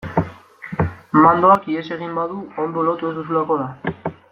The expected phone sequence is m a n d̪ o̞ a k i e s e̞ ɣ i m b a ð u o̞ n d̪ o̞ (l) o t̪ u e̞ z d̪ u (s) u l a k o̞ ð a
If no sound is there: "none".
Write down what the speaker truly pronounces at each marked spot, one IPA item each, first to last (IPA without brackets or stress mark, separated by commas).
l, s